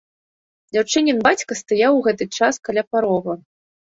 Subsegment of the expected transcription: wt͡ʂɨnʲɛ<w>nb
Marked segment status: incorrect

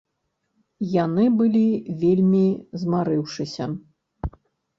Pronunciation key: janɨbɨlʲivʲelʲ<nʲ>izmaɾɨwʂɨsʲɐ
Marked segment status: incorrect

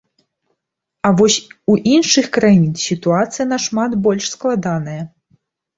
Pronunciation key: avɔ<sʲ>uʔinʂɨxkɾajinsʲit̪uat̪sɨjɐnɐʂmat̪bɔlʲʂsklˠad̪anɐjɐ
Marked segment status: correct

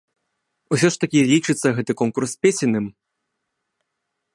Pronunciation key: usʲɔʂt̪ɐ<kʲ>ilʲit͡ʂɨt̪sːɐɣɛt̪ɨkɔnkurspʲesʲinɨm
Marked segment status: correct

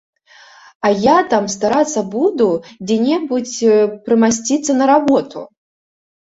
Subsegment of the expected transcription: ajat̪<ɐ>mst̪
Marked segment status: incorrect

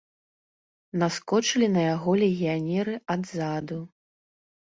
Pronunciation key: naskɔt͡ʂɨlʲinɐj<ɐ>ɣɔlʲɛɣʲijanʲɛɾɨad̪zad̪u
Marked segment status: incorrect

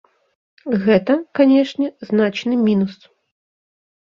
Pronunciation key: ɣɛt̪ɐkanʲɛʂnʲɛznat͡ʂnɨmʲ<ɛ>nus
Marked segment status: incorrect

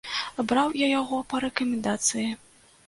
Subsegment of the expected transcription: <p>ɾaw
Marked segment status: incorrect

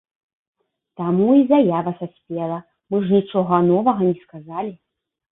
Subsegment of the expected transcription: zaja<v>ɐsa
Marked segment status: correct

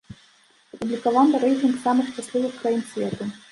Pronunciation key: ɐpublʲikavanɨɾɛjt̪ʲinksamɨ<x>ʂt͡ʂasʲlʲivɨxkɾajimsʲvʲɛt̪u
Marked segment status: correct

